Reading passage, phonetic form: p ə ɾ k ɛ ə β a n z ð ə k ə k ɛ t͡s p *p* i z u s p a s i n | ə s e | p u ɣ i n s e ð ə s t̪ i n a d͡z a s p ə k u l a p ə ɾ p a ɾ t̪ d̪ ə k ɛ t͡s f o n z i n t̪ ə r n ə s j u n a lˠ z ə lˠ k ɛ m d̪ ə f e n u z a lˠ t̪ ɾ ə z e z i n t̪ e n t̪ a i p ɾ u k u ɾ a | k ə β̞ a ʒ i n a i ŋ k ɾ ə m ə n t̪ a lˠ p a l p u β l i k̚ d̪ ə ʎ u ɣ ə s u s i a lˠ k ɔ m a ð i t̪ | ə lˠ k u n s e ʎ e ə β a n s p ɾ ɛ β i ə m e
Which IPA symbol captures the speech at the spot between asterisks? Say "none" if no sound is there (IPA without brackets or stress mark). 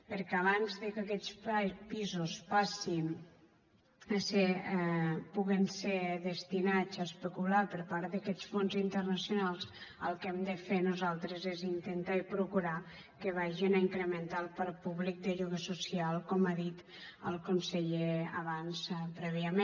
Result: p